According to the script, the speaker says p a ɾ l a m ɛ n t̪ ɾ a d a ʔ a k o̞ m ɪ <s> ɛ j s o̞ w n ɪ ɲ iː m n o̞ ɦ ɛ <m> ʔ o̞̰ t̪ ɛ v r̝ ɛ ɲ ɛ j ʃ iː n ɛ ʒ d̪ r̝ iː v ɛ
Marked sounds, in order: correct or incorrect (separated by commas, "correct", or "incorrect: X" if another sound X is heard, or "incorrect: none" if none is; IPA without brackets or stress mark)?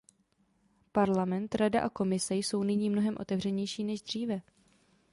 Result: correct, correct